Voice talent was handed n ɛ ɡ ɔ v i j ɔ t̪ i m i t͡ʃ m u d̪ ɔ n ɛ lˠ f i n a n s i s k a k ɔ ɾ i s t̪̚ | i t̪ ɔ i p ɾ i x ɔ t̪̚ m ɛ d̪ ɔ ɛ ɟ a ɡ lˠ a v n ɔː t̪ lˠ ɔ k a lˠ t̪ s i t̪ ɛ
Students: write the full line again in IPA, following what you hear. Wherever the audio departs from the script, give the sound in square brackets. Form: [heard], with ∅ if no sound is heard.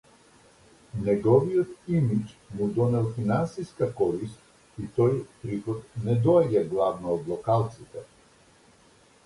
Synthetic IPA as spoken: n ɛ ɡ ɔ v i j ɔ t̪ i m i t͡ʃ m u d̪ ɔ n ɛ lˠ f i n a n s i s k a k ɔ ɾ i s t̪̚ | i t̪ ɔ [j] p ɾ i x ɔ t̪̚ [n] ɛ d̪ ɔ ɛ ɟ a ɡ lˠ a v n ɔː [d̪] lˠ ɔ k a lˠ t̪ s i t̪ ɛ